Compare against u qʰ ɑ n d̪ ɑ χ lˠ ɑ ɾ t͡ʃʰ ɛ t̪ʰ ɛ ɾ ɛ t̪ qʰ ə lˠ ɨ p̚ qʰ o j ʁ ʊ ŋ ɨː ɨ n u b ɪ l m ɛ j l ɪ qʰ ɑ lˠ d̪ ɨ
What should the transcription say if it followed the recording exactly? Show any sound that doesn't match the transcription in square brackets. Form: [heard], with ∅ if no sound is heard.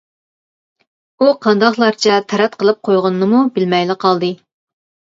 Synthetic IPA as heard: u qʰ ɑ n d̪ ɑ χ lˠ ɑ ɾ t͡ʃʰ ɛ t̪ʰ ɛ ɾ ɛ t̪ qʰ ə lˠ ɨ p̚ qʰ o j ʁ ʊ [n] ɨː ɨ [m] u b ɪ l m ɛ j l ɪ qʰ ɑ lˠ d̪ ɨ